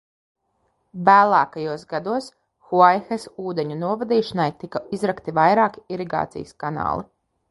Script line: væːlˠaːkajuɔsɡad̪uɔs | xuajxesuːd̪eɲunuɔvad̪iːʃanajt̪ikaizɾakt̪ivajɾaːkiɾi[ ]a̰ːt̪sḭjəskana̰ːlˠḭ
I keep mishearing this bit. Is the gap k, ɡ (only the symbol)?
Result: ɡ